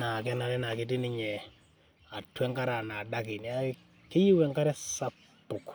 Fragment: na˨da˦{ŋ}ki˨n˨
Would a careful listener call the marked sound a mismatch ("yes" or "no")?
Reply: yes